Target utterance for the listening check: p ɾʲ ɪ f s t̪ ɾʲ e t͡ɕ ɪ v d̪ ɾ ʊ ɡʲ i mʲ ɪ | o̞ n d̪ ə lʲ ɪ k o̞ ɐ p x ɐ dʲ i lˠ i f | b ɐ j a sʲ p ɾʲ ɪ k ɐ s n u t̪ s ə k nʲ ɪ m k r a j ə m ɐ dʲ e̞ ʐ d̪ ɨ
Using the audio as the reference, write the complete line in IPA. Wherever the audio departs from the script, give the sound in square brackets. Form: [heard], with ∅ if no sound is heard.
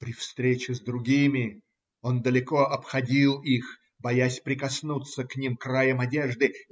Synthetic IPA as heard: p ɾʲ ɪ f s t̪ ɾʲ e t͡ɕ ɪ [z] d̪ ɾ ʊ ɡʲ i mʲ ɪ | o̞ n d̪ ə lʲ ɪ k o̞ ɐ p x ɐ dʲ i lˠ i [x] | b ɐ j a sʲ p ɾʲ ɪ k ɐ s n u t̪ s ə k nʲ [i] m k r a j ə m ɐ dʲ e̞ ʐ d̪ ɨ